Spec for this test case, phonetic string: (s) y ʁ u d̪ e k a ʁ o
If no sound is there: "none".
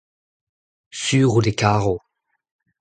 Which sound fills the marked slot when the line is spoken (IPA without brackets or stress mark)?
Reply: s